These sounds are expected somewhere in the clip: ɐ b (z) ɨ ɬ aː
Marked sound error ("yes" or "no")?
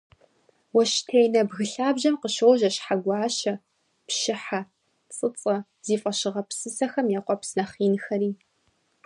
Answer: yes